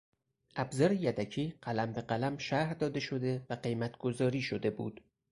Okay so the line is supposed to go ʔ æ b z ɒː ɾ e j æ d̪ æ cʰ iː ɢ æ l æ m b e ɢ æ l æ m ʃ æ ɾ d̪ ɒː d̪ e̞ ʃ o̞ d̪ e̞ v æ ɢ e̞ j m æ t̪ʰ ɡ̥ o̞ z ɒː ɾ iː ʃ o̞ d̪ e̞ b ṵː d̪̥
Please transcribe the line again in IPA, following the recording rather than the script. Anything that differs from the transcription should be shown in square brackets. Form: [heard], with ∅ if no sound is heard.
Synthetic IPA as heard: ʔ æ b z ɒː ɾ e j æ d̪ æ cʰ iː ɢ æ l æ m b e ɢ æ l æ m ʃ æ ɾ d̪ ɒː d̪ e̞ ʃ o̞ d̪ e̞ v æ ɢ e̞ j m æ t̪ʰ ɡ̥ o̞ z ɒː ɾ iː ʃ o̞ d̪ e̞ b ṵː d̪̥